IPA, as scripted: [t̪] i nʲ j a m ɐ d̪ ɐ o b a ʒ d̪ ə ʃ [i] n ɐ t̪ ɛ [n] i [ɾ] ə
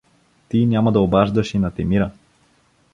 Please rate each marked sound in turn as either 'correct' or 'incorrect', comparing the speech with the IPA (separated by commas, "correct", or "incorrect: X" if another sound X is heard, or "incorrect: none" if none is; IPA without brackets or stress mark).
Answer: correct, correct, incorrect: m, correct